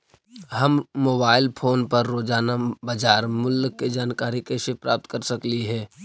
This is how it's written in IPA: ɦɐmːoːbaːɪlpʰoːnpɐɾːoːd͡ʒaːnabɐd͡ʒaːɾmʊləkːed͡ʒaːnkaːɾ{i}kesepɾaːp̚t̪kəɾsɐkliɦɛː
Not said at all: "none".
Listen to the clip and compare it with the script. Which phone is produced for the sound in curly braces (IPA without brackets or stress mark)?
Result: i